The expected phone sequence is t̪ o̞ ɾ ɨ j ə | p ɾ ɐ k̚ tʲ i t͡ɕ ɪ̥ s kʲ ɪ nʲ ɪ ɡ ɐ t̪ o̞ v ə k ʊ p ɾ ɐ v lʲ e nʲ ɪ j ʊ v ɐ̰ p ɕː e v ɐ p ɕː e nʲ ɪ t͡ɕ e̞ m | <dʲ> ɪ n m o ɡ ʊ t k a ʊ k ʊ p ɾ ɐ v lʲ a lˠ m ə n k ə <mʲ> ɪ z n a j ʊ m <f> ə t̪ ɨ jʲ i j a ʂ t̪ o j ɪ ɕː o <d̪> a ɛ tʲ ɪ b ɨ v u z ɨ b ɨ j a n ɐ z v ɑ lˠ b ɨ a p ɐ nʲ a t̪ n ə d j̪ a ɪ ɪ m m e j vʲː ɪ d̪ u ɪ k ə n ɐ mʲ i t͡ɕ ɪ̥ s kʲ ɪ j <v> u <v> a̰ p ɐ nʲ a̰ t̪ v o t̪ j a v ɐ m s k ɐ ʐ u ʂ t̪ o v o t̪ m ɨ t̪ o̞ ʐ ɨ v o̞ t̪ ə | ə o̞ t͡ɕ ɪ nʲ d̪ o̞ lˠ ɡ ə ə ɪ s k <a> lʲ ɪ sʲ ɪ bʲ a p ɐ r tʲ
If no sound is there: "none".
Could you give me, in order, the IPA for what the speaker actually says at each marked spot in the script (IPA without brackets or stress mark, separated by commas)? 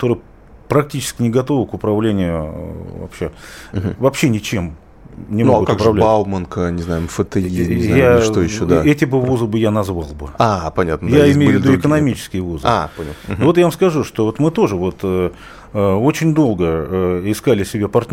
nʲ, nʲ, f, d̪, v, z, a